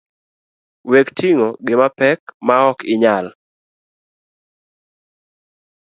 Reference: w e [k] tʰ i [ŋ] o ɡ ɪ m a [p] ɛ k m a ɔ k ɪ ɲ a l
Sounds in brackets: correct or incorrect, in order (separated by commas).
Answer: correct, correct, correct